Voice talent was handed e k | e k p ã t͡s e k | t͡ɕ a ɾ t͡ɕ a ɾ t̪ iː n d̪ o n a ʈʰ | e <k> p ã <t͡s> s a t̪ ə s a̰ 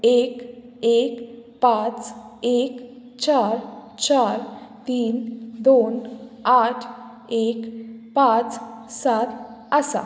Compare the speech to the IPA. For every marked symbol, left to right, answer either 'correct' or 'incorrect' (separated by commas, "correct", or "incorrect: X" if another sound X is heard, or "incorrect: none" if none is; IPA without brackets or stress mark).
correct, correct